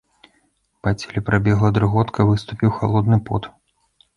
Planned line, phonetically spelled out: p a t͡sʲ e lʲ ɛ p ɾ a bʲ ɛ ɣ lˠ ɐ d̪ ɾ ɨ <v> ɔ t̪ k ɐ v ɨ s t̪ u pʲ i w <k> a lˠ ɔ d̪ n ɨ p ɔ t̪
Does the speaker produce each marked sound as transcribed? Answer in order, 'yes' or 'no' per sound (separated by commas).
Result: no, no